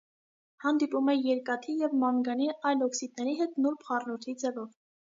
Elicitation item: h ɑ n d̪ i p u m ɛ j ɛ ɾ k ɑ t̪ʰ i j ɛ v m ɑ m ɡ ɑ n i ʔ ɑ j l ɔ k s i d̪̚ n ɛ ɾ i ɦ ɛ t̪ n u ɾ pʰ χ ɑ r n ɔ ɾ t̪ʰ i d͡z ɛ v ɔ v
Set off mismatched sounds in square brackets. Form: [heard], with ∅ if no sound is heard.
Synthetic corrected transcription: h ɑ n d̪ i p u m ɛ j ɛ ɾ k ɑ t̪ʰ i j ɛ v m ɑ [ŋ] ɡ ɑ n i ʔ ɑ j l ɔ k s i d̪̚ n ɛ ɾ i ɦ ɛ t̪ n u ɾ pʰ χ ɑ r n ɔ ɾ t̪ʰ i d͡z ɛ v ɔ v